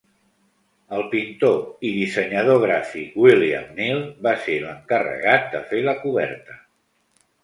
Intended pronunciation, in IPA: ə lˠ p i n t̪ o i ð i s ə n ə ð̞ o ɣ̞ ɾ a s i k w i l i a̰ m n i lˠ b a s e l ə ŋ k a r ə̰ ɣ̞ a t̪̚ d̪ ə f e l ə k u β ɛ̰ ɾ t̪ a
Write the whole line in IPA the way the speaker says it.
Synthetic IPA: ə lˠ p i n t̪ o i ð i s ə ɲ ə ð̞ o ɣ̞ ɾ a f i k w i l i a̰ m n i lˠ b a s e l ə ŋ k ə r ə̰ ɣ̞ a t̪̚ d̪ ə f e l ə k u β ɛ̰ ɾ t̪ ə